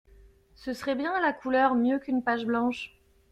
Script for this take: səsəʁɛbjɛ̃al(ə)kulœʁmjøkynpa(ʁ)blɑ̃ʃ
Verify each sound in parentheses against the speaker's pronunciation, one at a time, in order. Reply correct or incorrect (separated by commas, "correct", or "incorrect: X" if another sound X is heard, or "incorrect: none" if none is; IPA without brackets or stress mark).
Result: incorrect: a, incorrect: ʒ